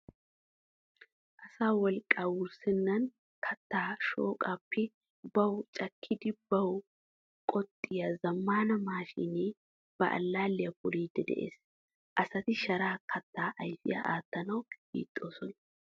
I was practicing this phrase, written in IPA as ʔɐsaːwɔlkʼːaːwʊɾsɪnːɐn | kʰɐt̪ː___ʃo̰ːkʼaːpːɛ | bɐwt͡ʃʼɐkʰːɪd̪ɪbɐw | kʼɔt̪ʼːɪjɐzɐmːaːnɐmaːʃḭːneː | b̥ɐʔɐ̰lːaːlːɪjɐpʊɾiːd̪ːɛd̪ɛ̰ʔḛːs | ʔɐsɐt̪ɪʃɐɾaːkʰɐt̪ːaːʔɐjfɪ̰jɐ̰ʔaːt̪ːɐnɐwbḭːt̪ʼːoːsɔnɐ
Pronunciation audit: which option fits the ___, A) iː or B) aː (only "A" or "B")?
B